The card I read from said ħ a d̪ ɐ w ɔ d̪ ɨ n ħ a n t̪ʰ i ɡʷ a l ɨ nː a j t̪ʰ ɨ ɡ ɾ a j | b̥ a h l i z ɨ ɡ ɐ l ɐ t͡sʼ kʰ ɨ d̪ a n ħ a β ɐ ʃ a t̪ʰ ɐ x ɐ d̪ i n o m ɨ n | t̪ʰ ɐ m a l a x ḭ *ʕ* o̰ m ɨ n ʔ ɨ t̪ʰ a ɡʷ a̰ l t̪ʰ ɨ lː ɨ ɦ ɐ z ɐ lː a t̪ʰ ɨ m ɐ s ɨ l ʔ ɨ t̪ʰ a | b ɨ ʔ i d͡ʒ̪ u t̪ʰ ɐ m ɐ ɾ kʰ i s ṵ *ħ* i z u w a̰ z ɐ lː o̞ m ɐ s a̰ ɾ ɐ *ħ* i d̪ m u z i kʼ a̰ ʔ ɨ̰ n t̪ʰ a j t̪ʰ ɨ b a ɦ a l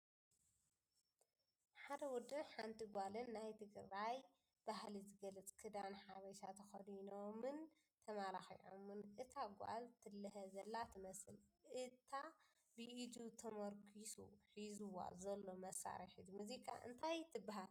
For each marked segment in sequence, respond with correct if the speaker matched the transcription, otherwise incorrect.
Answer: correct, correct, correct

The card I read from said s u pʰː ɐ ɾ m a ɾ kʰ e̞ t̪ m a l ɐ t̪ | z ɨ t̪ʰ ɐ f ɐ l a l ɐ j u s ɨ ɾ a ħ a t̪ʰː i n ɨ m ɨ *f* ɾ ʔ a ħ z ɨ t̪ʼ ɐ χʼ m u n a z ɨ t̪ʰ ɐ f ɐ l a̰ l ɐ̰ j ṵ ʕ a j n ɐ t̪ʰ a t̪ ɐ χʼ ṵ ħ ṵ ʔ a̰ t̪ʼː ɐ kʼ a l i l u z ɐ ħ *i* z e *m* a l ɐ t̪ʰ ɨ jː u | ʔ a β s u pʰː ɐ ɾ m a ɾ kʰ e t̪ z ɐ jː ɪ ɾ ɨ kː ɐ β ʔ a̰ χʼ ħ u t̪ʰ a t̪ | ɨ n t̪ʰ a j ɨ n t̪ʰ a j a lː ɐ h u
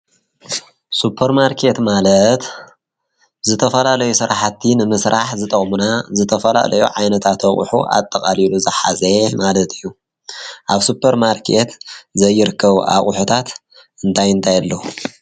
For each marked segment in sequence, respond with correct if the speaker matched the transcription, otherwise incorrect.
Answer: incorrect: s, incorrect: a, correct

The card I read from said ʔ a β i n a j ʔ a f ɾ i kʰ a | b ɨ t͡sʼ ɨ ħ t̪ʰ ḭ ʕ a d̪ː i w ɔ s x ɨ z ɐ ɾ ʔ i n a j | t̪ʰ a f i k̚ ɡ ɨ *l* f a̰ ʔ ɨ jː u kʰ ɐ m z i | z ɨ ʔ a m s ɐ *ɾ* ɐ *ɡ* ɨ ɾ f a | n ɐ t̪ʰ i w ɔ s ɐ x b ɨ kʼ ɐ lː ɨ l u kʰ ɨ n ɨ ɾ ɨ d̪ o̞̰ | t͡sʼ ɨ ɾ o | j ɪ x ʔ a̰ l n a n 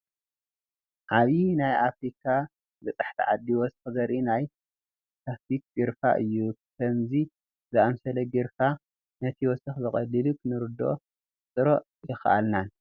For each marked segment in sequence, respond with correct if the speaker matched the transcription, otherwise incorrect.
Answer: incorrect: ɾ, incorrect: l, correct

